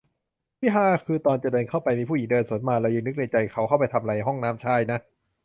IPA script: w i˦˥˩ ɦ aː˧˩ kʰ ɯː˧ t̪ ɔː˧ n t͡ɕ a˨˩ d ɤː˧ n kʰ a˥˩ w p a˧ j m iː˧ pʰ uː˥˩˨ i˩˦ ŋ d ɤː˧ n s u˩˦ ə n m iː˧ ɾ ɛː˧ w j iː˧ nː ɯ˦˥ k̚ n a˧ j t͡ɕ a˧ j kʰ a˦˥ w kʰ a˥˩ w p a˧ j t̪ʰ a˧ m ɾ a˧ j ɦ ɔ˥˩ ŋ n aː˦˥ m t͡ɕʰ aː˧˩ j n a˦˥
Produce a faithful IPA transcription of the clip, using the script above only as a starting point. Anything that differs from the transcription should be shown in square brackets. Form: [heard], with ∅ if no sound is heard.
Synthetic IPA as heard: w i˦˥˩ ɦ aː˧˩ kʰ ɯː˧ t̪ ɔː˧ n t͡ɕ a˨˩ d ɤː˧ n kʰ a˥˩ w p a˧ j m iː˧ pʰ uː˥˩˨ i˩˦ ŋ d ɤː˧ n s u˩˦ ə n m [aː˧] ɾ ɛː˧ w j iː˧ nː ɯ˦˥ k̚ n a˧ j t͡ɕ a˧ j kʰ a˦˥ w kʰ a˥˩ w p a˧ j t̪ʰ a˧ m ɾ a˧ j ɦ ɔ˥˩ ŋ n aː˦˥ m t͡ɕʰ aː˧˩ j n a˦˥